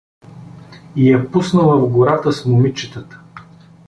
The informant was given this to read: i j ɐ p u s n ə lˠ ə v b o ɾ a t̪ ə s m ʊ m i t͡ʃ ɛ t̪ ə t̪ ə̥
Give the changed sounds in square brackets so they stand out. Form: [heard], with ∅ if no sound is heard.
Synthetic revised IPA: i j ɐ p u s n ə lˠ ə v [ɡ] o ɾ a t̪ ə s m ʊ m i t͡ʃ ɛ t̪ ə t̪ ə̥